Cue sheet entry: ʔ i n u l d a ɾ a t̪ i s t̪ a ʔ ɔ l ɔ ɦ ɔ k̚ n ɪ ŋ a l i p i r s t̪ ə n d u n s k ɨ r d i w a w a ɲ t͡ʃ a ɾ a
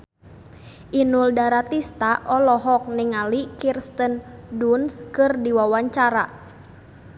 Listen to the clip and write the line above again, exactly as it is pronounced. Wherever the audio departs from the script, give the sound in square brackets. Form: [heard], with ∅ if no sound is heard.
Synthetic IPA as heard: ʔ i n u l d a ɾ a t̪ i s t̪ a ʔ ɔ l ɔ ɦ ɔ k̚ n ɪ ŋ a l i [k] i r s t̪ ə n d u n s k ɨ r d i w a w a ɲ t͡ʃ a ɾ a